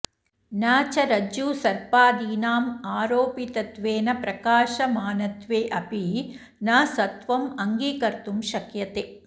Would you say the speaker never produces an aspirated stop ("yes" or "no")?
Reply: yes